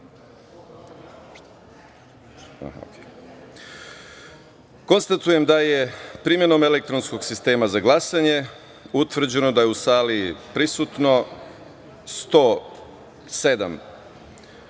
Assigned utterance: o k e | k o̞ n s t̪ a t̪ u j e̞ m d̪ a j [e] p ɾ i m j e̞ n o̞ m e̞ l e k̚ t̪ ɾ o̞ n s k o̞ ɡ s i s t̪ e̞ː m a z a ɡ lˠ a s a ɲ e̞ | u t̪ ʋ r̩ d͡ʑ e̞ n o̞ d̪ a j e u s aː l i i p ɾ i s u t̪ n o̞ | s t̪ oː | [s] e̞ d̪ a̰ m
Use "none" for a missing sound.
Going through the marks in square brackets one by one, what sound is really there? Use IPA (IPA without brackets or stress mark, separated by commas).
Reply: e, s